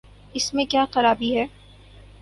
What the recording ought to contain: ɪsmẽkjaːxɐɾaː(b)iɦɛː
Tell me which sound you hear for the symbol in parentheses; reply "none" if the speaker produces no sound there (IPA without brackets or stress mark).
b